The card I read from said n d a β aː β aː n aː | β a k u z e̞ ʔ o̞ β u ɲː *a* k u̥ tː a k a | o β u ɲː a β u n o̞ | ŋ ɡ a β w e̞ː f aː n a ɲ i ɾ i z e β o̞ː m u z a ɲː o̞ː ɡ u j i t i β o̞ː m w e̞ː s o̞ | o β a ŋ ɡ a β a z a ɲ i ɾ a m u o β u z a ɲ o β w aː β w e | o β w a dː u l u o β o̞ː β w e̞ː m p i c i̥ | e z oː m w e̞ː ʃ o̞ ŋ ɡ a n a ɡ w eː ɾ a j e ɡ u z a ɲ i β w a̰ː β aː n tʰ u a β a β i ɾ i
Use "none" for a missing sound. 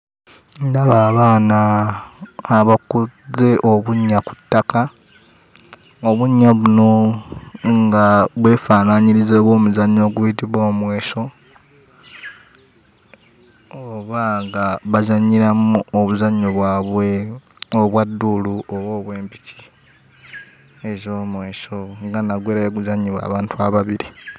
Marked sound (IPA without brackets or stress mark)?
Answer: a